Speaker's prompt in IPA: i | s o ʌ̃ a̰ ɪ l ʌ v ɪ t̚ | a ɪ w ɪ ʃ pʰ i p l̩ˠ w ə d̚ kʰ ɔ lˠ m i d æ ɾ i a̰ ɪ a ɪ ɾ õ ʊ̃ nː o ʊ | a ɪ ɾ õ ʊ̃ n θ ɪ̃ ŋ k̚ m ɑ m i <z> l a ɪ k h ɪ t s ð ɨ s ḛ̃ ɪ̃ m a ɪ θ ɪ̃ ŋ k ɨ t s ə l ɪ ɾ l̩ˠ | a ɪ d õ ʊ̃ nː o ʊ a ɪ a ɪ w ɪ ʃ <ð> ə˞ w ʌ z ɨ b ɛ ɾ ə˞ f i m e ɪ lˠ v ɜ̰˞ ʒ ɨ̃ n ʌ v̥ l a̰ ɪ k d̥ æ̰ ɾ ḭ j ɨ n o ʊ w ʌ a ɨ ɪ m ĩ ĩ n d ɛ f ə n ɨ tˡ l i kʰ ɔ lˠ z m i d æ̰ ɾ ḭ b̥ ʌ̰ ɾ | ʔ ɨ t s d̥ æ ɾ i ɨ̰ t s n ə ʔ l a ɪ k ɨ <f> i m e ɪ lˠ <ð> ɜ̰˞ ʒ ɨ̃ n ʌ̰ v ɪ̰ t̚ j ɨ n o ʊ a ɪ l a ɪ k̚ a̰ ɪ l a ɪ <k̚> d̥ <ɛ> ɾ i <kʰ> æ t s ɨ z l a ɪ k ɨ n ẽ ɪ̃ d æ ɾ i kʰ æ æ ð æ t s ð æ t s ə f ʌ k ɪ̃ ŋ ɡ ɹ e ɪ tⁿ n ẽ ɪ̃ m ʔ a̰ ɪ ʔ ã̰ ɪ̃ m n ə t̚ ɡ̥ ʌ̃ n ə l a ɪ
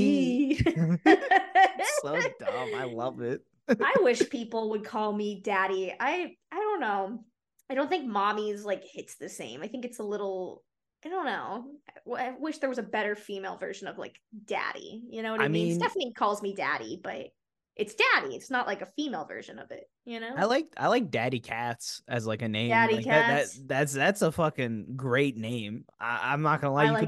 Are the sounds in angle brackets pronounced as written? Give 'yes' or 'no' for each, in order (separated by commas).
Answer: yes, yes, yes, no, yes, no, yes